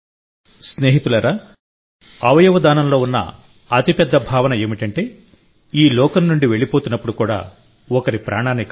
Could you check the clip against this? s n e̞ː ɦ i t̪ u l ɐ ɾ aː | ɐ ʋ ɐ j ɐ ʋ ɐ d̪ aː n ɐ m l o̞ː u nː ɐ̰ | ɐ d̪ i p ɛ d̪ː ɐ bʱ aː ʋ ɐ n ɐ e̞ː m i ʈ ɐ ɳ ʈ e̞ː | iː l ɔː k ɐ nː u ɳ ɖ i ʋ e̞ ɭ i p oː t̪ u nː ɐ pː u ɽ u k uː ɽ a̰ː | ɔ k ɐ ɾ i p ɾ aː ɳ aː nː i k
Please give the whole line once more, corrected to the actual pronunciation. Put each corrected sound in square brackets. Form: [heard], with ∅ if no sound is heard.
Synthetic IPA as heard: s n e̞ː ɦ i t̪ u l ɐ ɾ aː | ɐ ʋ ɐ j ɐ ʋ ɐ d̪ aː n ɐ m l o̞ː u nː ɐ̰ | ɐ [t̪] i p ɛ d̪ː ɐ bʱ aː ʋ ɐ n ɐ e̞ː m i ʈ ɐ ɳ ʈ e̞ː | iː l ɔː k ɐ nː u ɳ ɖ i ʋ e̞ ɭ i p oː t̪ u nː ɐ pː u ɽ u k uː ɽ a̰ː | ɔ k ɐ ɾ i p ɾ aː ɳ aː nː i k